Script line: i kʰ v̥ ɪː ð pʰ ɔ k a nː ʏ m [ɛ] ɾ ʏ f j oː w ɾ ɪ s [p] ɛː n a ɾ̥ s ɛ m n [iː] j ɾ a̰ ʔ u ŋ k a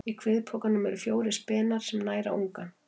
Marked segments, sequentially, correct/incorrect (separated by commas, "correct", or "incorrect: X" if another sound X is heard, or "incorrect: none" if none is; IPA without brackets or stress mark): correct, correct, incorrect: aː